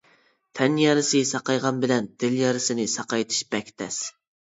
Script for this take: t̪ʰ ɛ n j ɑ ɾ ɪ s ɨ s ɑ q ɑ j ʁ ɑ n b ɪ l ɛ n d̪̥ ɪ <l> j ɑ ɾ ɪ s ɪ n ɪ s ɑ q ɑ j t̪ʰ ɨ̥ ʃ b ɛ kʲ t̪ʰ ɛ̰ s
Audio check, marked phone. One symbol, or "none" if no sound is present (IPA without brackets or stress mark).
l